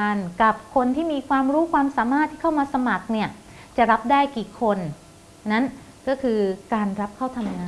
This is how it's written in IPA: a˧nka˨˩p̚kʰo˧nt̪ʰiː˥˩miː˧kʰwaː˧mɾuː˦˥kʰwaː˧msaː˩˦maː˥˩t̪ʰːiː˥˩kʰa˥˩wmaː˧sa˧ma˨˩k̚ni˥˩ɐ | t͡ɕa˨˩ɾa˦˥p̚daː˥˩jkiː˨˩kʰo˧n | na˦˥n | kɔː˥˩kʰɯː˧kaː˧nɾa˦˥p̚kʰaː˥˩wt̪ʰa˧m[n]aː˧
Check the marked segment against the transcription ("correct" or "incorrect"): incorrect